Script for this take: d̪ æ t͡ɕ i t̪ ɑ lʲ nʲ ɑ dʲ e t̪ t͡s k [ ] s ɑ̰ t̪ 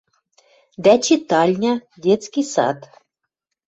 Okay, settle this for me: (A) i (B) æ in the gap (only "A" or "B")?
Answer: A